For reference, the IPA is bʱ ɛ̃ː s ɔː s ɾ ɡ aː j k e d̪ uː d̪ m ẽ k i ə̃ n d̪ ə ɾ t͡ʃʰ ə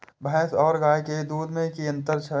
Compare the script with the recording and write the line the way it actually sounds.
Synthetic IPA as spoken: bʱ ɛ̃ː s ɔː ɾ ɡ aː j k e d̪ uː d̪ m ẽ k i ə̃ n t̪ ə ɾ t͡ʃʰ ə